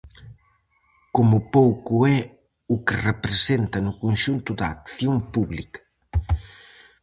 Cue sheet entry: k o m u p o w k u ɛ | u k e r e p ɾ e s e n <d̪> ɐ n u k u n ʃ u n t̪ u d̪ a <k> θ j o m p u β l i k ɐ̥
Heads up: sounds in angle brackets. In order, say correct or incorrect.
incorrect: t̪, correct

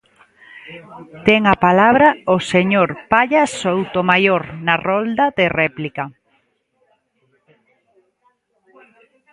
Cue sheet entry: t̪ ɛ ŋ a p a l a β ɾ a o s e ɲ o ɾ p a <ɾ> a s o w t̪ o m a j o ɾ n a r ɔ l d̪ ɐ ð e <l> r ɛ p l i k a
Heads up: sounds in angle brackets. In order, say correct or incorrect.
incorrect: ʎ, incorrect: none

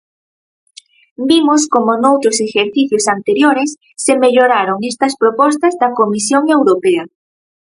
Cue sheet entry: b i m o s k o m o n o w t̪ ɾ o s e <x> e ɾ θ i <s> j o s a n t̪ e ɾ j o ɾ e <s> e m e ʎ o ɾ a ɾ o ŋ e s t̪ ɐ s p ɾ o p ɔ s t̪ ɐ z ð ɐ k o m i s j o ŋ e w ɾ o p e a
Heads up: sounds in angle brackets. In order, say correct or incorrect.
correct, incorrect: θ, incorrect: sː

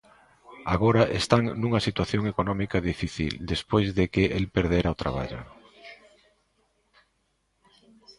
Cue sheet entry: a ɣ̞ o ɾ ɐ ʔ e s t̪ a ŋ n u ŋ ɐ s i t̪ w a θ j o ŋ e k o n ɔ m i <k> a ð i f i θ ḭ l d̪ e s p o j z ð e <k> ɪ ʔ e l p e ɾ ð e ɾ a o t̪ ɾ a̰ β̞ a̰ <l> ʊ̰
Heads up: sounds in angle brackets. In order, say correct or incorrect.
correct, correct, incorrect: ʎ

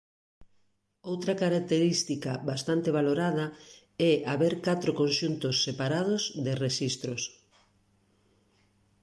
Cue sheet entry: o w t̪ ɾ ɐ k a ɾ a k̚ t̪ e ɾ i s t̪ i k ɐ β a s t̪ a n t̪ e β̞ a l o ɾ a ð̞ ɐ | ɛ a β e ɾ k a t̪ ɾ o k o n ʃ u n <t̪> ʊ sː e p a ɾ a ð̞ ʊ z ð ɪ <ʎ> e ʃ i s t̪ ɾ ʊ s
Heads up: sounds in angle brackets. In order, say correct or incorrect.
correct, incorrect: r

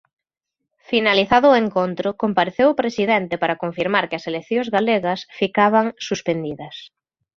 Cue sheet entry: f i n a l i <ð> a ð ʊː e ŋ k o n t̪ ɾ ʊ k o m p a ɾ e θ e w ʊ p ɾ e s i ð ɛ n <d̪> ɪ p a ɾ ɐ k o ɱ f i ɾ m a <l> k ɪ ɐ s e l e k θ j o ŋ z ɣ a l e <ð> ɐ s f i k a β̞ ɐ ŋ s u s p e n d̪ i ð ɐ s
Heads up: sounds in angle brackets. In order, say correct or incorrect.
incorrect: θ, incorrect: t̪, incorrect: ɾ, incorrect: ɣ

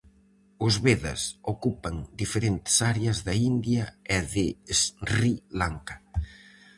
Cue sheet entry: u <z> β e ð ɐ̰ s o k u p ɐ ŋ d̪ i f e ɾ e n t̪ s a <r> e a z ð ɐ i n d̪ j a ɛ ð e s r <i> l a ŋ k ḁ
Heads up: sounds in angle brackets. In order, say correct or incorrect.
correct, incorrect: ɾ, correct

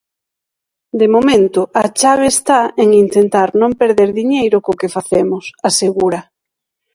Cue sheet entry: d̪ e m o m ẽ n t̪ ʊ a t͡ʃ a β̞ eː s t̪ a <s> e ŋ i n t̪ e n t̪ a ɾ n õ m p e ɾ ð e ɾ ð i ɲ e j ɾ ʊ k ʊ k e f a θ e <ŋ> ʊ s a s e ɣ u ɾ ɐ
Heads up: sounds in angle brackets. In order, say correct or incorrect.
incorrect: none, incorrect: m

